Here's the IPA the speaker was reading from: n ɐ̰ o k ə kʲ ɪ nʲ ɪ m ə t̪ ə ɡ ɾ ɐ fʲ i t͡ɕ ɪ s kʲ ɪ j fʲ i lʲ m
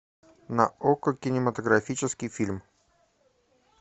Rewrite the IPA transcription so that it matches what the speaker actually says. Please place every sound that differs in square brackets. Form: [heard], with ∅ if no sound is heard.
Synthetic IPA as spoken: n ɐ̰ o k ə kʲ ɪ nʲ ɪ m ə t̪ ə ɡ ɾ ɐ fʲ i t͡ɕ ɪ s kʲ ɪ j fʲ i lʲ m